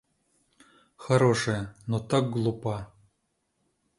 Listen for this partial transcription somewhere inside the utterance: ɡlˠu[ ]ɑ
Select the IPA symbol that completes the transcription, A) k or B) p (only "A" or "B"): B